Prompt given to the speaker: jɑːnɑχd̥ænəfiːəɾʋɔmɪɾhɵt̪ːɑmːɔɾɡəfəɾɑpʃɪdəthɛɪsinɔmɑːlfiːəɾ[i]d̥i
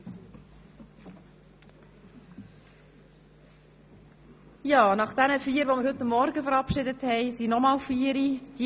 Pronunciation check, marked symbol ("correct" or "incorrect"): correct